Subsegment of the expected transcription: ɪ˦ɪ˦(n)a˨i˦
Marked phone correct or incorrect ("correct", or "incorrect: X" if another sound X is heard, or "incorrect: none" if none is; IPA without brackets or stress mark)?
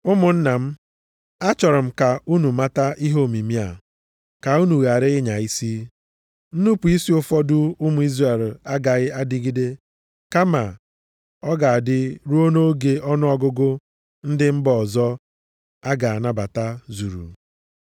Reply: incorrect: ɲ